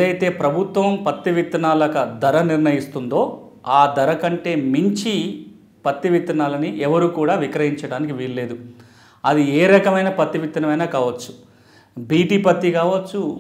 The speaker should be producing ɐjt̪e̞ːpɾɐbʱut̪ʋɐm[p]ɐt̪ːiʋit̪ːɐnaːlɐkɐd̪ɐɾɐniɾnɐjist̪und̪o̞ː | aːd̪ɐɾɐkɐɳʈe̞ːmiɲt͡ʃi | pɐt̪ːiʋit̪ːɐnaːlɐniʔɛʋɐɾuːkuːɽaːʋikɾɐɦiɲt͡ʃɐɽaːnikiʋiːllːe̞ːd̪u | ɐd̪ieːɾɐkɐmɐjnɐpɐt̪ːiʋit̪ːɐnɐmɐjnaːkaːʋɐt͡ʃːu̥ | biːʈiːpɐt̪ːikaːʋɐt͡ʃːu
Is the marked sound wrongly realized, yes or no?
no